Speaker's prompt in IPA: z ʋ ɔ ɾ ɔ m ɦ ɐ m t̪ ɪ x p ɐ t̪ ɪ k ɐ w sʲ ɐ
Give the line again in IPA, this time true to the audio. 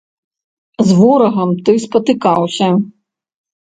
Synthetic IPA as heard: z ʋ ɔ ɾ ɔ ɦ ɐ m t̪ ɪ s p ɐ t̪ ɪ k ɑ w sʲ ɐ